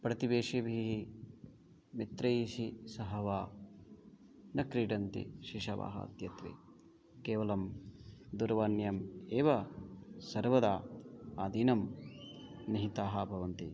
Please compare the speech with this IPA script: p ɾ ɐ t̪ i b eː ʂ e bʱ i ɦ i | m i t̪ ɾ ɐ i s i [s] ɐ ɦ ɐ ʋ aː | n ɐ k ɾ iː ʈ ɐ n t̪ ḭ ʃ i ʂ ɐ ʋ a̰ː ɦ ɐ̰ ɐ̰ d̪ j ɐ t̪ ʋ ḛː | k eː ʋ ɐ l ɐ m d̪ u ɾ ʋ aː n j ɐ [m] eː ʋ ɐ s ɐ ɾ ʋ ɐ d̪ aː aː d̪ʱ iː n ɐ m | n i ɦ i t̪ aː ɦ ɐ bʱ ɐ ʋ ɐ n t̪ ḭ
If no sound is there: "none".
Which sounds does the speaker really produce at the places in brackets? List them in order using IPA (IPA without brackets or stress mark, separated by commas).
s, m